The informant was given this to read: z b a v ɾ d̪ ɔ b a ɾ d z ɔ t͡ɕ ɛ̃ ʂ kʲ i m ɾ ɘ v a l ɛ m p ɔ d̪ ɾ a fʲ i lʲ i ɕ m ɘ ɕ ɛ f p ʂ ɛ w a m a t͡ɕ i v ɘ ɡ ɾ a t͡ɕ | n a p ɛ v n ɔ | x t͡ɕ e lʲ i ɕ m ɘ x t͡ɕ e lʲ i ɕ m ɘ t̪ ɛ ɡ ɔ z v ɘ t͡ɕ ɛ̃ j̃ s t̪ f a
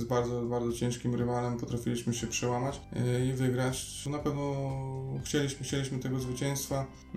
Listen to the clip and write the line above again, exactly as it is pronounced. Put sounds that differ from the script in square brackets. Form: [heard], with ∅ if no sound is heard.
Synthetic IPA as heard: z b a [∅] ɾ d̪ ɔ b a ɾ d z ɔ t͡ɕ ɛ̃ ʂ kʲ i m ɾ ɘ v a l ɛ m p ɔ [t̪] ɾ a fʲ i lʲ i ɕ m ɘ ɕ ɛ [∅] p ʂ ɛ w a m a t͡ɕ i v ɘ ɡ ɾ a t͡ɕ | n a p ɛ v n ɔ | x t͡ɕ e lʲ i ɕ m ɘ x t͡ɕ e lʲ i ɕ m ɘ t̪ ɛ ɡ ɔ z v ɘ t͡ɕ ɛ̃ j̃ s t̪ f a